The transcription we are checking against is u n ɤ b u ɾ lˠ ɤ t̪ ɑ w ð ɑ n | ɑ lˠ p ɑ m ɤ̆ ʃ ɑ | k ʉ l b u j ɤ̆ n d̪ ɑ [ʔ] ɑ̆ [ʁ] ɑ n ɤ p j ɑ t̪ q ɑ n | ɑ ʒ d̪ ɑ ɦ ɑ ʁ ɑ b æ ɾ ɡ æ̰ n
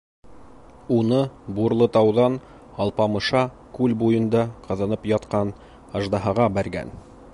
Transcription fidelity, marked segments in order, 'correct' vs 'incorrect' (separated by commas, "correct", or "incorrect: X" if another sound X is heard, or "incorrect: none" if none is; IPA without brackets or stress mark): incorrect: q, incorrect: ð